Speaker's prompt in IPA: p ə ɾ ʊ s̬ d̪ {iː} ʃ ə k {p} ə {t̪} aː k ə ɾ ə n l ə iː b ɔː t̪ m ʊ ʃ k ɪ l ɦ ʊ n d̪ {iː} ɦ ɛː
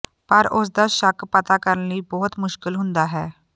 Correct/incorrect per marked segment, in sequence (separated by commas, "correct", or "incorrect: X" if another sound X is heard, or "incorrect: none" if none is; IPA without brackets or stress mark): incorrect: aː, correct, correct, incorrect: aː